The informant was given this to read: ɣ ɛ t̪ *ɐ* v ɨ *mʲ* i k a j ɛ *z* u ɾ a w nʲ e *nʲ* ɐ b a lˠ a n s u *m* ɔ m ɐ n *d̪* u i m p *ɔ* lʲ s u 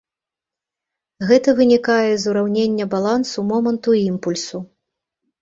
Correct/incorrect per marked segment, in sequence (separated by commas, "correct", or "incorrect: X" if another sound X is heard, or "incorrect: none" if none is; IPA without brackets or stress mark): correct, incorrect: nʲ, correct, incorrect: nʲː, correct, incorrect: t̪, incorrect: u